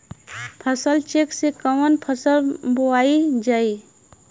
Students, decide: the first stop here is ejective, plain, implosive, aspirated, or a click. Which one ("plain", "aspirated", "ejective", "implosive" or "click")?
aspirated